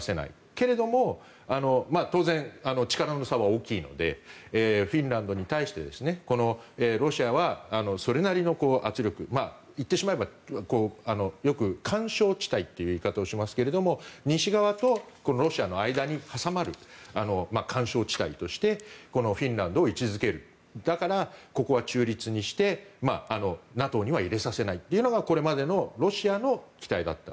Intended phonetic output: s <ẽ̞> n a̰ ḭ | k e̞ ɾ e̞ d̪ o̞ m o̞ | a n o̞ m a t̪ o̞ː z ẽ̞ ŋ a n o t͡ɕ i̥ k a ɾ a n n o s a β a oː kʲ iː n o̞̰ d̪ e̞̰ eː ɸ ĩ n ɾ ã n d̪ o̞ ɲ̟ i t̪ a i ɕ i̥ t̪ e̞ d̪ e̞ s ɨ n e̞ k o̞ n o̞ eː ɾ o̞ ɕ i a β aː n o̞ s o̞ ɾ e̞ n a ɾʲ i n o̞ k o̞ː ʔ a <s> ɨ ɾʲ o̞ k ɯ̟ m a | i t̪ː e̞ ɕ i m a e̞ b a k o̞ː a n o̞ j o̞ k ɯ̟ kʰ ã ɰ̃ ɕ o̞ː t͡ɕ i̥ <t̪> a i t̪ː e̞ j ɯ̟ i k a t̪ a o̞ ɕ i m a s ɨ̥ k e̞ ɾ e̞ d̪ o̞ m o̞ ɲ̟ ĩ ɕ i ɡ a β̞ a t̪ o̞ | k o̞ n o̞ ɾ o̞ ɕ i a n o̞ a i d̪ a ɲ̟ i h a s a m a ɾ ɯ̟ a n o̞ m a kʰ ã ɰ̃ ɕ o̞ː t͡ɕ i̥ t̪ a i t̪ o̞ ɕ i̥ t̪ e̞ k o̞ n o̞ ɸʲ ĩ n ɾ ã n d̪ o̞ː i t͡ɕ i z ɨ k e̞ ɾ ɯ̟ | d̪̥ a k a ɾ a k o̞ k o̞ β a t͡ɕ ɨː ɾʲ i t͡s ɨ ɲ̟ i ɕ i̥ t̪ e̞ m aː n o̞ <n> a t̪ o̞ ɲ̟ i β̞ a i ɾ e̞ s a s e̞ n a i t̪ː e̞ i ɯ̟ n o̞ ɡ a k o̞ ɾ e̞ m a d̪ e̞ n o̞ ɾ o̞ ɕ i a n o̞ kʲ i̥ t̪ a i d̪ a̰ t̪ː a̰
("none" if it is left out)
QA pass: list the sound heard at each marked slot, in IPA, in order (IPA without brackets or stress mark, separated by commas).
e̞, t͡s, t̪, n